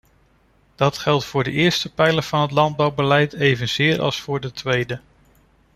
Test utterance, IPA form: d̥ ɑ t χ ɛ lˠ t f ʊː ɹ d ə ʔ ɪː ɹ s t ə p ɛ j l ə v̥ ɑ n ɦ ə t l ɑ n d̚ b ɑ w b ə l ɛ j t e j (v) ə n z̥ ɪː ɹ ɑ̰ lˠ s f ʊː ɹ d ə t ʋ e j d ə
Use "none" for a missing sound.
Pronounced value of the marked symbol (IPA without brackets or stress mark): v